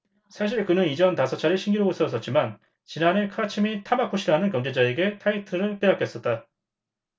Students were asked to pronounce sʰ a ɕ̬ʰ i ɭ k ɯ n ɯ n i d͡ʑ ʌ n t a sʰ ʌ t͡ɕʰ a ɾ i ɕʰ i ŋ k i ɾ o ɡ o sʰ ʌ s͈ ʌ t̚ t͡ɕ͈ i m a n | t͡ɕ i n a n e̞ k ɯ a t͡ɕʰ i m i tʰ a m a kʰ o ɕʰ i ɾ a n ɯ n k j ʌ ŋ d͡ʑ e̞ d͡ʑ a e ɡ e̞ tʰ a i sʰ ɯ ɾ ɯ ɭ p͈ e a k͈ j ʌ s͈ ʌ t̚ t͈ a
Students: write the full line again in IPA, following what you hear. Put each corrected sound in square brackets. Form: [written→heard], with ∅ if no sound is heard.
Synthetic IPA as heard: sʰ a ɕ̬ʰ i ɭ k ɯ n ɯ n i d͡ʑ ʌ n t a sʰ ʌ t͡ɕʰ a ɾ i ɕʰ i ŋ [k→ɡ] i ɾ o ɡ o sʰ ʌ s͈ ʌ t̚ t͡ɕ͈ i m a n | t͡ɕ i n a n e̞ [k→kʰ] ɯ a t͡ɕʰ i m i tʰ a m a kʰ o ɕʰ i ɾ a n ɯ n k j ʌ ŋ d͡ʑ e̞ d͡ʑ a e ɡ e̞ tʰ a i [sʰ→tʰ] ɯ ɾ ɯ ɭ p͈ e a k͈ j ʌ s͈ ʌ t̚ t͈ a

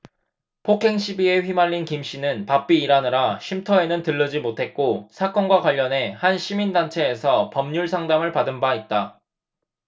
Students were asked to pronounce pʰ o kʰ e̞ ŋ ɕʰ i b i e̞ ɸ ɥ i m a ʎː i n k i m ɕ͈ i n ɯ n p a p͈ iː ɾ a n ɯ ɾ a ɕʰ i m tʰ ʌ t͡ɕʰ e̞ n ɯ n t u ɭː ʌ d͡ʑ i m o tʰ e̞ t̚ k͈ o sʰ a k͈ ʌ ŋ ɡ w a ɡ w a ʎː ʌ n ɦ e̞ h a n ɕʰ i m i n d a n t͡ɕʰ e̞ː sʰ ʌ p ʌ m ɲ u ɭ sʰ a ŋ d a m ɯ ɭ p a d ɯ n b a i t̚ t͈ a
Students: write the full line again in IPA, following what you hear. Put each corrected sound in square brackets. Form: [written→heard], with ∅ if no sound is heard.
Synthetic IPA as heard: pʰ o kʰ e̞ ŋ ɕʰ i b i e̞ ɸ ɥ i m a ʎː i n k i m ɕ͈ i n ɯ n p a p͈ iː ɾ a n ɯ ɾ a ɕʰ i m tʰ ʌ [t͡ɕʰ→∅] e̞ n ɯ n t [u→ɯ] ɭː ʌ d͡ʑ i m o tʰ e̞ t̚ k͈ o sʰ a k͈ ʌ [ŋ→n] ɡ w a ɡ w a ʎː ʌ n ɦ e̞ h a n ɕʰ i m i n d a n t͡ɕʰ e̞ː sʰ ʌ p ʌ m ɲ u ɭ sʰ a ŋ d a m ɯ ɭ p a d ɯ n b a i t̚ t͈ a

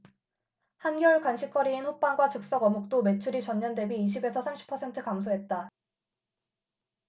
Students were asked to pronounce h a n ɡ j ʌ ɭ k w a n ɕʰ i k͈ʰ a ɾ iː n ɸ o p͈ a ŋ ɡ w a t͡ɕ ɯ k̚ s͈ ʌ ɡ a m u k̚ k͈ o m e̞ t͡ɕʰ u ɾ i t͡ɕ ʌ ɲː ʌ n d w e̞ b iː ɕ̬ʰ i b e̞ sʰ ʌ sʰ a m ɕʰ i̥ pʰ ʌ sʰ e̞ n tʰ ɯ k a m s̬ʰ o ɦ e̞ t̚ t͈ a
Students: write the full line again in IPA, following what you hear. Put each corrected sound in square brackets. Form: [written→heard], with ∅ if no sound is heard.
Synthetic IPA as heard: h a n ɡ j ʌ ɭ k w a n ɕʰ i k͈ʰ [a→ʌ] ɾ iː n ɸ o p͈ a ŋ ɡ w a t͡ɕ ɯ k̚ s͈ ʌ ɡ [a→ʌ] m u k̚ [k͈→t͈] o m e̞ t͡ɕʰ u ɾ i t͡ɕ ʌ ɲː ʌ n d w e̞ b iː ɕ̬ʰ i b e̞ sʰ ʌ sʰ a m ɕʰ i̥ pʰ ʌ sʰ e̞ n tʰ ɯ k a m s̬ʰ o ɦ e̞ t̚ t͈ a

